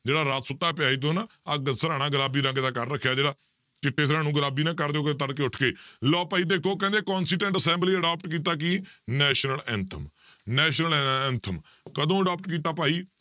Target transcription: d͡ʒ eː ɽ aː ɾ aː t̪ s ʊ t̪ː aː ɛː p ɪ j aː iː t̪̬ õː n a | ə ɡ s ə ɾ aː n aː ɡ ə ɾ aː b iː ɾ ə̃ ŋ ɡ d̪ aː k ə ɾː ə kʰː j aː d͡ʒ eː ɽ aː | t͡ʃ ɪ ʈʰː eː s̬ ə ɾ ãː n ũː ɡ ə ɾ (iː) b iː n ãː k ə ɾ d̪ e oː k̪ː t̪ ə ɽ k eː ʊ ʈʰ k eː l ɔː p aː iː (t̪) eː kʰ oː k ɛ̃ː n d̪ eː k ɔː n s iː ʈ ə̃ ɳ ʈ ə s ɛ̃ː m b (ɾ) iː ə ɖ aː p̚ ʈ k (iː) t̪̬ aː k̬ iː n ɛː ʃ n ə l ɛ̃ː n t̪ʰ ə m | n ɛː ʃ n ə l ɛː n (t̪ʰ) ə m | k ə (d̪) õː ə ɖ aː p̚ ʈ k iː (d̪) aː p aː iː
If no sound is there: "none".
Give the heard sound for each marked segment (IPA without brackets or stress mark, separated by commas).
aː, d̪, l, iː, t̪ʰ, d̪, t̪